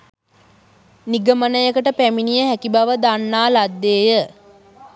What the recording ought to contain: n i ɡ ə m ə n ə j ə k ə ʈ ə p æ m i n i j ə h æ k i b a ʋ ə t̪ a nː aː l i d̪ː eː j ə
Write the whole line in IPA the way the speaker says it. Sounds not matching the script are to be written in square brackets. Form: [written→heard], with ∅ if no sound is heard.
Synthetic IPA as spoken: n i ɡ ə m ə n ə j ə k ə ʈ ə p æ m i n i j ə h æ k i b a ʋ ə [t̪→d̪] a nː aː l [i→a] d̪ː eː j ə